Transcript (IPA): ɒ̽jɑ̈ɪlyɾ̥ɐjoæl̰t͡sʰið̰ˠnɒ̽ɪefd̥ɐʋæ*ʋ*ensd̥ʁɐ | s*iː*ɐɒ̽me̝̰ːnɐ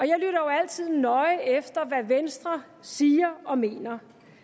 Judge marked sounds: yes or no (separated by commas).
yes, yes